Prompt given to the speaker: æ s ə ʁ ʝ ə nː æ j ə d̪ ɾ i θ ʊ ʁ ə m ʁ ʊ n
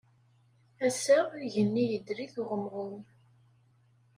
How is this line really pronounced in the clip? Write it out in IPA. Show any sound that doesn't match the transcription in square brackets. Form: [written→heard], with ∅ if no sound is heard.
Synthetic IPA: æ s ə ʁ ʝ ə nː [æ→i] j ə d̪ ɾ i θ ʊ ʁ ə m ʁ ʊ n